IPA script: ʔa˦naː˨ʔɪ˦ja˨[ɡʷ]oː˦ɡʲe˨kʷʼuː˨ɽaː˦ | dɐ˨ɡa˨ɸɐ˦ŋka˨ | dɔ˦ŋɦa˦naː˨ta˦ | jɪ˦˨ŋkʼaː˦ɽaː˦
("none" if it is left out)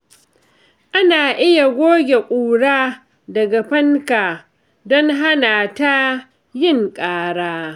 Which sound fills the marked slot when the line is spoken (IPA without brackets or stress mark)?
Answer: ɡʷ